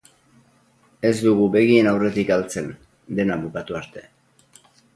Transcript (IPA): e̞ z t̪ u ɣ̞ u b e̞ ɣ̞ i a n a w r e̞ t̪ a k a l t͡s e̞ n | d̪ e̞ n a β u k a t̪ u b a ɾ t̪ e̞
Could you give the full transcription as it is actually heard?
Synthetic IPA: e̞ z d̪ u ɣ̞ u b e̞ ɣ̞ i e n a w r e̞ t̪ i k a l t͡s e̞ n | d̪ e̞ n a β u k a t̪ u a ɾ t̪ e̞

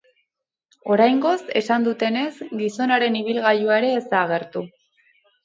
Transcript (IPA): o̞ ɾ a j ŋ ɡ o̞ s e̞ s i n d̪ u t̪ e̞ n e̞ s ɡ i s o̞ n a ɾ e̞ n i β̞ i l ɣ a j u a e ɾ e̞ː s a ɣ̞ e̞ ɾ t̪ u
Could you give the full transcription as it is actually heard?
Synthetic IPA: o̞ ɾ a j ŋ ɡ o̞ s e̞ s a n d̪ u t̪ e̞ n e̞ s ɡ i s o̞ n a ɾ e̞ n i β̞ i l ɣ a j u a e ɾ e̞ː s a ɣ̞ e̞ ɾ t̪ u

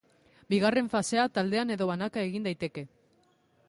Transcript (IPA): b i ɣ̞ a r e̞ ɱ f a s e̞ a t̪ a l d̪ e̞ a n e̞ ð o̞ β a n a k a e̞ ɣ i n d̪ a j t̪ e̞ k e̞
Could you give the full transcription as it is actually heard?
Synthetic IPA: b i ɣ̞ a r e̞ ɱ f a s e̞ a t̪ a l d̪ e̞ a n e̞ ð o̞ β a n a k a e̞ ɣ i n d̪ a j t̪ e̞ k e̞

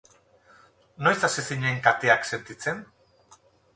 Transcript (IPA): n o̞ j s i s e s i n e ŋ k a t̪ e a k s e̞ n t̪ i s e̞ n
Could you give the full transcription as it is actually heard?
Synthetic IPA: n o̞ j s a s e s i ɲ e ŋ k a t̪ e a k s e̞ n t̪ i t͡s e̞ n

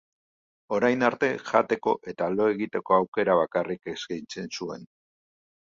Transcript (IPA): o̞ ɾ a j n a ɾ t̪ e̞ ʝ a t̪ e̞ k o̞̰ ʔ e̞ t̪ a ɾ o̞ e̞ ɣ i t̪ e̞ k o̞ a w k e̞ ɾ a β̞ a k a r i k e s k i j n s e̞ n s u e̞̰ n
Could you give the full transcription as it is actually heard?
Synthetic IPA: o̞ ɾ a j n a ɾ t̪ e̞ ʝ a t̪ e̞ k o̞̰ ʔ e̞ t̪ a l o̞ e̞ ɣ i t̪ e̞ k o̞ a w k e̞ ɾ a β̞ a k a r i k e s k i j n t͡s e̞ n s u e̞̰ n

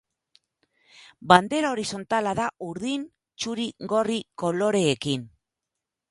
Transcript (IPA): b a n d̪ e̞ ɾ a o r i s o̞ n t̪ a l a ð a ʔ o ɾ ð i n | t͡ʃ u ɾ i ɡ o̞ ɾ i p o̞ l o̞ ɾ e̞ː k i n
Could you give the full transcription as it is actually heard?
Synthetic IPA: b a n d̪ e̞ ɾ a o ɾ i s o̞ n t̪ a l a ð a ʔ u ɾ ð i n | t͡ʃ u ɾ i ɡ o̞ r i k o̞ l o̞ ɾ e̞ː k i n

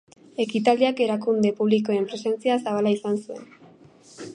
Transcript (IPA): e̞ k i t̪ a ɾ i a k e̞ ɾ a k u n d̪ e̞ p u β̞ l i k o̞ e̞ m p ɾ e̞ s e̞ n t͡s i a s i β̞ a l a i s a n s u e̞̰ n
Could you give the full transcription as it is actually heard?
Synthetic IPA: e̞ k i t̪ a l i a k e̞ ɾ a k u n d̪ e̞ p u β̞ l i k o̞ e̞ m p ɾ e̞ s e̞ n t͡s i a s a β̞ a l a i s a n s u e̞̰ n

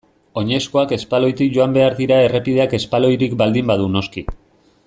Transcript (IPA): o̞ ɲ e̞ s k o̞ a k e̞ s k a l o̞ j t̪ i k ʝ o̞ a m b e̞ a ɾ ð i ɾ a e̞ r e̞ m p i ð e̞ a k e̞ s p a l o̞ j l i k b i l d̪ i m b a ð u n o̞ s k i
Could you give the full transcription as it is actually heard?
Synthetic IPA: o̞ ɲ e̞ s k o̞ a k e̞ s p a l o̞ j t̪ i k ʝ o̞ a m b e̞ a ɾ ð i ɾ a e̞ r e̞ p i ð e̞ a k e̞ s p a l o̞ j ɾ i k b a l d̪ i m b a ð u n o̞ s k i

